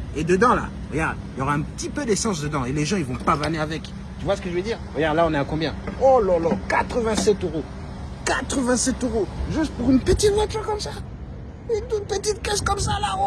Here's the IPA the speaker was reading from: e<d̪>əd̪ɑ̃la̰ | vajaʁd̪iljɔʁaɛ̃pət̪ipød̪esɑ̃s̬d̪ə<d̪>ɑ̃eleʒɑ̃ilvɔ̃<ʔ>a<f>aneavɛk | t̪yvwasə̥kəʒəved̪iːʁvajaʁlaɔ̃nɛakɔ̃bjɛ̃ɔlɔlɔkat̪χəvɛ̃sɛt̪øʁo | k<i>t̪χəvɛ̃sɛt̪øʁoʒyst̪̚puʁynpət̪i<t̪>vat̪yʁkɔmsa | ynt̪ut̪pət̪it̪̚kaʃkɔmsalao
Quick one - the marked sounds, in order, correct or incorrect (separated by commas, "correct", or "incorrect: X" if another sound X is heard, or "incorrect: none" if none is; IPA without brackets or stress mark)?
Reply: correct, correct, incorrect: p, incorrect: v, incorrect: a, correct